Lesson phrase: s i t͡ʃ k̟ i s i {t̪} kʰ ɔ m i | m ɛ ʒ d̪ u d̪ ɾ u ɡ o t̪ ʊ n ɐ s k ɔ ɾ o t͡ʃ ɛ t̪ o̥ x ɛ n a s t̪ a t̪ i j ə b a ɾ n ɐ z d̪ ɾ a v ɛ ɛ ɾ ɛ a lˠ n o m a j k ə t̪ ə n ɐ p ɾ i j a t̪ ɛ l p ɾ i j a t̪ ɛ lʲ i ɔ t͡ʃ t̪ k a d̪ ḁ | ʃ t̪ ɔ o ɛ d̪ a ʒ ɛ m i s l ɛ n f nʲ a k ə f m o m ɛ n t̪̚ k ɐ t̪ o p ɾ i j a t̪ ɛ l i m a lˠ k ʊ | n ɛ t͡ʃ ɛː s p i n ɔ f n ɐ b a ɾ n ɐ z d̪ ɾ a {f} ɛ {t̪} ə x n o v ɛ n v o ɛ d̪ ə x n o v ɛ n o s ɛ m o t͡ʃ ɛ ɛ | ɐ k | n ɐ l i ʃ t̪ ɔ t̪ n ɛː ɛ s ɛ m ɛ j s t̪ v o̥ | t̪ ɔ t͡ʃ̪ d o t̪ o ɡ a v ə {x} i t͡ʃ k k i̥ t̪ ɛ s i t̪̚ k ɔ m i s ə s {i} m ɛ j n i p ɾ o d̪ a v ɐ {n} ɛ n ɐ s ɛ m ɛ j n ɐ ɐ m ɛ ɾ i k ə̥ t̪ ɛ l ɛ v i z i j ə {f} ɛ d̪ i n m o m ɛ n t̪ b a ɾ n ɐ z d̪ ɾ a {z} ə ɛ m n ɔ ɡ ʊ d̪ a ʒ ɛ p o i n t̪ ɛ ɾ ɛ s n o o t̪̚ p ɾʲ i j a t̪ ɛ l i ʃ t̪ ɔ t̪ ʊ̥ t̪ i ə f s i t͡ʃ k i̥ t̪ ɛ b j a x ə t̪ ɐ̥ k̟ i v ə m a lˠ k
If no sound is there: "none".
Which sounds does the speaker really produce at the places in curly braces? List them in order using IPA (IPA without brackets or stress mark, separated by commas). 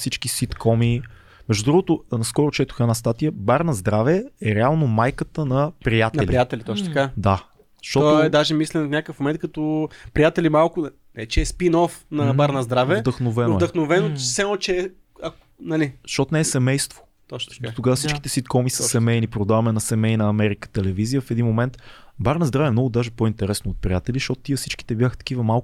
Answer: t̪, v, d̪, s, ɛ, m, f, v